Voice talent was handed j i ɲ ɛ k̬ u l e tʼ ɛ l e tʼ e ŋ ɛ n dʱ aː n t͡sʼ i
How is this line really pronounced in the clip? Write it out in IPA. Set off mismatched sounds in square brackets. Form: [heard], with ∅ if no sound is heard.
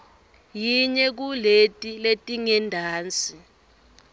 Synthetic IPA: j i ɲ ɛ k̬ u l e tʼ [i] l e tʼ [i] ŋ ɛ n dʱ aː n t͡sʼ i